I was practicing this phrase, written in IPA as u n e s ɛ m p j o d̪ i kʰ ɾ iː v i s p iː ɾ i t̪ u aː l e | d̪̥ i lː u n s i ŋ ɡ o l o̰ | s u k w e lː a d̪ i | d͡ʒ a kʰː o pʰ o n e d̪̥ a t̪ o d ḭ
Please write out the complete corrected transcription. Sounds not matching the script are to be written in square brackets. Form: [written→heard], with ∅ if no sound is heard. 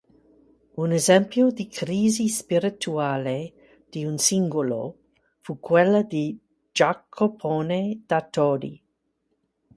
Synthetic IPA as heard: u n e [s→z] ɛ m p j o d̪ i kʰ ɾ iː [v→z] i s p [iː→i] ɾ i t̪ u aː l e | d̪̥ i [lː→∅] u n s i ŋ ɡ o l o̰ | [s→f] u k w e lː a d̪ i | d͡ʒ a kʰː o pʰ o n e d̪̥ a t̪ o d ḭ